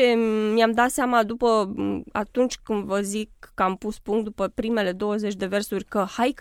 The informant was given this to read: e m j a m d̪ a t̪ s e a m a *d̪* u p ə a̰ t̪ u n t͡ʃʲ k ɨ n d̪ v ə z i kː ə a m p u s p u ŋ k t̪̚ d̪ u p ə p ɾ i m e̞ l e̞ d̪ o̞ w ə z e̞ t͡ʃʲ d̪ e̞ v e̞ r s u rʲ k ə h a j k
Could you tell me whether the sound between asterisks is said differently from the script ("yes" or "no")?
no